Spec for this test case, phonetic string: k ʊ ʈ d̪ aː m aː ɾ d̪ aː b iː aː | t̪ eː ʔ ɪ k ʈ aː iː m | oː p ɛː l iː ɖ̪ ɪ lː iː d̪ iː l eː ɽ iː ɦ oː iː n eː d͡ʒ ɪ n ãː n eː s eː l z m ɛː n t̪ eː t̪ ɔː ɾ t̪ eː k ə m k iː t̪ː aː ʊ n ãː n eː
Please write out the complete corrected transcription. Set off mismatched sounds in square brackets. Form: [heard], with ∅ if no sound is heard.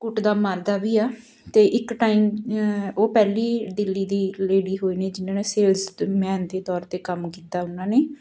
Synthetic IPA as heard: k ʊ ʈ d̪ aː m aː ɾ d̪ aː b iː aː | t̪ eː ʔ ɪ k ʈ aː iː m | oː p ɛː l iː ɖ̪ ɪ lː iː d̪ iː l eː ɽ iː ɦ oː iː n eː d͡ʒ ɪ n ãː n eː s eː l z m ɛː n [d̪] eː t̪ ɔː ɾ t̪ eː k ə m k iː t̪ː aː ʊ n ãː n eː